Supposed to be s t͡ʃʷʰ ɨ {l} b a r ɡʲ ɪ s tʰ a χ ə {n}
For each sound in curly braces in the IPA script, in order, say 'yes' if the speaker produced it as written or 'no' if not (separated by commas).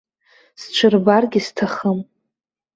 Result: no, no